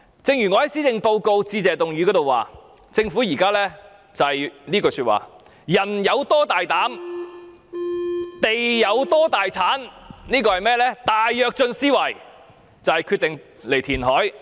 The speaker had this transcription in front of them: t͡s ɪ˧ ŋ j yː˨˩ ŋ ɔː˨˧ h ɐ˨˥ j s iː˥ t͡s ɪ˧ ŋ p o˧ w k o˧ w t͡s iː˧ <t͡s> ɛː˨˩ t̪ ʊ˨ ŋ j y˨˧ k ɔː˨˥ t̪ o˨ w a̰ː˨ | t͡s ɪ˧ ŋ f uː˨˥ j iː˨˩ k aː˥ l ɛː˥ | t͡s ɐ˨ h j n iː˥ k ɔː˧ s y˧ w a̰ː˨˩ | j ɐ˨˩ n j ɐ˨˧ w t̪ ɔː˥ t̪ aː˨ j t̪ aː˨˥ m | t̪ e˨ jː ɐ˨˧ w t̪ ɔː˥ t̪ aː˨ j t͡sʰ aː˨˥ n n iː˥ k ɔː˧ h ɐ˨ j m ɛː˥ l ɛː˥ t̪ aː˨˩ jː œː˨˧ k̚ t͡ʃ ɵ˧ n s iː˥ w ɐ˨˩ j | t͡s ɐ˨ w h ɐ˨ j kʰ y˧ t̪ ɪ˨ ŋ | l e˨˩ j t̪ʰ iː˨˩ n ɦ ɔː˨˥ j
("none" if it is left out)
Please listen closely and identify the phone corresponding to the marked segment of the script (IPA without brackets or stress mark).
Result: t͡s